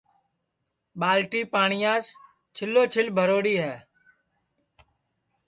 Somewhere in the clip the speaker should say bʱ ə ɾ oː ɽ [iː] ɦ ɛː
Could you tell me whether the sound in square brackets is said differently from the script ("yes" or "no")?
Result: no